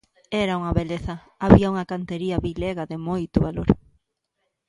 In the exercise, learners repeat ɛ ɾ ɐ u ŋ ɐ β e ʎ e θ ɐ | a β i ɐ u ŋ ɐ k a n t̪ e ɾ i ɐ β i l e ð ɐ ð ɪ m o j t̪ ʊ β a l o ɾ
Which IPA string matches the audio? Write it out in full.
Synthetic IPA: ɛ ɾ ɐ u ŋ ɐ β e l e θ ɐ | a β i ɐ u ŋ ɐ k a n t̪ e ɾ i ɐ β i l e ɣ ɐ ð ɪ m o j t̪ ʊ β a l o ɾ